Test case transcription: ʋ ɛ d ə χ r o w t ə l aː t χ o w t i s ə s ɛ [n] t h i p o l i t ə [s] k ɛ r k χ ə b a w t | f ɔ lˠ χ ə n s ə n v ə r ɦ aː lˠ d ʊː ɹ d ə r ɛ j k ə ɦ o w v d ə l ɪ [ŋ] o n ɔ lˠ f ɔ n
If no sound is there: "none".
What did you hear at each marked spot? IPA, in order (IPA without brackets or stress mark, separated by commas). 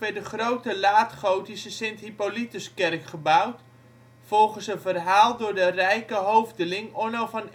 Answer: n, s, ŋ